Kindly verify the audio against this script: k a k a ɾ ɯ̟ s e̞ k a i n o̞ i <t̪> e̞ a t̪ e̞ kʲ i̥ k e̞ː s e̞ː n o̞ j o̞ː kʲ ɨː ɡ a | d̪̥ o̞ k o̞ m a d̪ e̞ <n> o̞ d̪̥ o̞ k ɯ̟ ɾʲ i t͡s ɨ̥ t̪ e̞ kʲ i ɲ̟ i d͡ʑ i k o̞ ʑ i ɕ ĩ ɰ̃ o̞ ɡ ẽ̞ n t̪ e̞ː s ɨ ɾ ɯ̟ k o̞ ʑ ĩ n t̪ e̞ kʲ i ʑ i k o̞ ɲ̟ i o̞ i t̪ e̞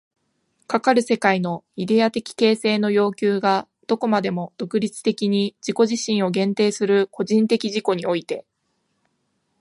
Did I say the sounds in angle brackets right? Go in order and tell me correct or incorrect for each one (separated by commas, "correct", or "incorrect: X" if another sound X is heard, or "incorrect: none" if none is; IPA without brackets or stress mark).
incorrect: d̪, incorrect: m